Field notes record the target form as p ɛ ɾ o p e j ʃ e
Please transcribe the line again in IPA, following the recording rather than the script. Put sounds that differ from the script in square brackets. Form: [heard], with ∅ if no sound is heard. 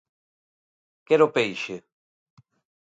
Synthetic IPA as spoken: [k] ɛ ɾ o p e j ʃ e